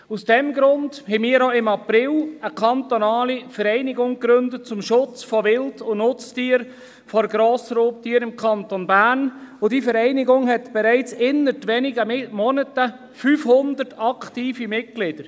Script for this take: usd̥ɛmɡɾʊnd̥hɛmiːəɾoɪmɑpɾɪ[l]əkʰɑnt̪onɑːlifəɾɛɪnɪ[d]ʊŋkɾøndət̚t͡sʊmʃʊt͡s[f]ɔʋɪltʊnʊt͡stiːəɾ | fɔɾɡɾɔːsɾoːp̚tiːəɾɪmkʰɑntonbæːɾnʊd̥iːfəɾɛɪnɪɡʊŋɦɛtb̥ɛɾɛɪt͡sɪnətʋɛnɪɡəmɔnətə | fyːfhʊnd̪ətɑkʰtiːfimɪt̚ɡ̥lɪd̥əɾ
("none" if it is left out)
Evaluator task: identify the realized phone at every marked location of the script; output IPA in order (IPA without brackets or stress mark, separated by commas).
l, ɡ, f